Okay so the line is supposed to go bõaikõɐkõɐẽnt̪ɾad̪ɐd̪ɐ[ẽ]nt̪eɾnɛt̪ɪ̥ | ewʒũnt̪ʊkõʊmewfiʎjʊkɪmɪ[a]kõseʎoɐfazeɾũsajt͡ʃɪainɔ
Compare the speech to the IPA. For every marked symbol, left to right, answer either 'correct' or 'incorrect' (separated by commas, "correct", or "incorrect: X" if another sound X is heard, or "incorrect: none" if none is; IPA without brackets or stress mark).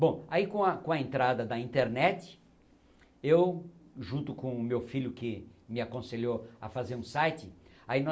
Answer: incorrect: ĩ, correct